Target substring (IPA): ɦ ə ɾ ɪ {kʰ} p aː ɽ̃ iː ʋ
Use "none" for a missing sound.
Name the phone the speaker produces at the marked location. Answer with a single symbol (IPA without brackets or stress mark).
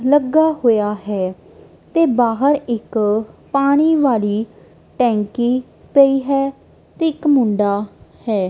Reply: k